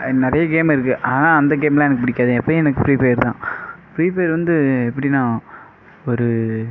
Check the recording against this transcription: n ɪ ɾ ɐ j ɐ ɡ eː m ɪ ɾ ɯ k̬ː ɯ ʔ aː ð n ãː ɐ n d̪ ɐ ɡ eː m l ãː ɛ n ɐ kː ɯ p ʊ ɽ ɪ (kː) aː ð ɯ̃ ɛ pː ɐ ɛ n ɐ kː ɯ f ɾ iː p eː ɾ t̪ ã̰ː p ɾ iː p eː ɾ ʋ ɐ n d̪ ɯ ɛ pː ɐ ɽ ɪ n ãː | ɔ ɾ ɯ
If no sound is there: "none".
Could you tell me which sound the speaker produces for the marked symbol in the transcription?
kː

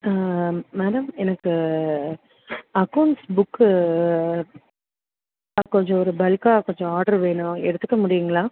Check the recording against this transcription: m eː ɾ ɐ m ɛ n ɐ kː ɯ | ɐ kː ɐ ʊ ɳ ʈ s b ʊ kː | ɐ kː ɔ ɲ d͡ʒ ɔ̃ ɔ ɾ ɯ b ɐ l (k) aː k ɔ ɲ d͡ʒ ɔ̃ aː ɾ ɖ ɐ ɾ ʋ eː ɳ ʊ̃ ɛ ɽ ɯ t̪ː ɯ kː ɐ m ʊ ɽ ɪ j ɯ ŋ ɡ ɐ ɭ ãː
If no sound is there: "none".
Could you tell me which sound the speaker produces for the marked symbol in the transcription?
k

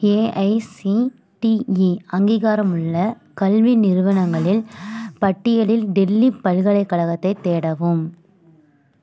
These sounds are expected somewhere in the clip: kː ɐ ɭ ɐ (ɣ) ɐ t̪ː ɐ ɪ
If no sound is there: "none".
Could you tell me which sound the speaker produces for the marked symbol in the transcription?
ɣ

